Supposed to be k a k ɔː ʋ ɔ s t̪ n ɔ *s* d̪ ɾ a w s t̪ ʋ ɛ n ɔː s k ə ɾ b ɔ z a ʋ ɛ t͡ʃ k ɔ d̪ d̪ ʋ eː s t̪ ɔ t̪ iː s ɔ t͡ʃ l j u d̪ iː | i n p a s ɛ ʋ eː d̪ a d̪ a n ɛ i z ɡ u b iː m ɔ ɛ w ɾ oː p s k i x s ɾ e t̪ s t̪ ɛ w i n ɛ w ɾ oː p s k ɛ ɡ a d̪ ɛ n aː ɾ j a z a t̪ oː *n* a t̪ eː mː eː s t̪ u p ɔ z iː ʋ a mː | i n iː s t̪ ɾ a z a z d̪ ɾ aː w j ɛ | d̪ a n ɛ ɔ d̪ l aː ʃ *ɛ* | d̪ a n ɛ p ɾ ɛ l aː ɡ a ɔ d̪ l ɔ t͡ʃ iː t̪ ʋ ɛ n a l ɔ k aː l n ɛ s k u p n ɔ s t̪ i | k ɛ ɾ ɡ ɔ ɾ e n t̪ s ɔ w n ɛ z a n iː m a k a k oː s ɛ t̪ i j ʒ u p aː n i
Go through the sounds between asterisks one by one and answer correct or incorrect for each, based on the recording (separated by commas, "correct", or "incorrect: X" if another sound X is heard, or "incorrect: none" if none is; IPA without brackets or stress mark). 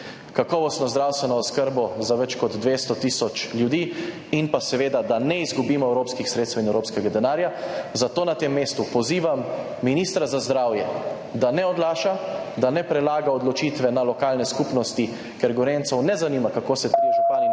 incorrect: z, correct, incorrect: a